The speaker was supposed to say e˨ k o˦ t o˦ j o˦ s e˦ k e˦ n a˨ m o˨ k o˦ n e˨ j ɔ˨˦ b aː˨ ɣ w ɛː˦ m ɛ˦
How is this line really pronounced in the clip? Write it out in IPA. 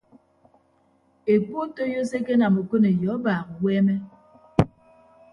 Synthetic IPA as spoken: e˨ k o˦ t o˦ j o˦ s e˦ k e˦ n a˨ m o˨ k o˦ n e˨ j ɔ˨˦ b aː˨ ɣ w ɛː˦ m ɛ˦